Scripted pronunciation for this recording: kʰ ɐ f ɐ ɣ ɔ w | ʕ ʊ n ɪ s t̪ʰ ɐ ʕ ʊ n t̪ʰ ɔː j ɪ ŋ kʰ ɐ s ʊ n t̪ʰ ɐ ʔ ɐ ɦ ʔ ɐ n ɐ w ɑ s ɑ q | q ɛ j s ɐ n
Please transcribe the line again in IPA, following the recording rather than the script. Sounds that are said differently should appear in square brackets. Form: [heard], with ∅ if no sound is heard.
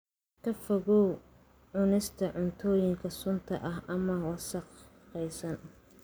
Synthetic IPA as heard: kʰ ɐ f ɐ ɣ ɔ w | ʕ ʊ n ɪ s t̪ʰ ɐ ʕ ʊ n t̪ʰ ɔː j ɪ ŋ kʰ ɐ s ʊ n t̪ʰ ɐ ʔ ɐ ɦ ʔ ɐ [m] ɐ w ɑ s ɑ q | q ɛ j s ɐ n